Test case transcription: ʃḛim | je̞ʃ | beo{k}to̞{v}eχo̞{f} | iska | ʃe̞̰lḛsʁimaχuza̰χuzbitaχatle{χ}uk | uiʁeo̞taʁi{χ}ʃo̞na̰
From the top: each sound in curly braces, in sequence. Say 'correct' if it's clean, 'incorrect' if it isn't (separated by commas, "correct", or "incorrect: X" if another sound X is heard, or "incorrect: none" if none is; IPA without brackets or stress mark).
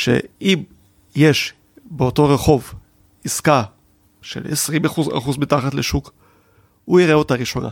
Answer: incorrect: none, incorrect: ʁ, incorrect: v, incorrect: ʃ, incorrect: none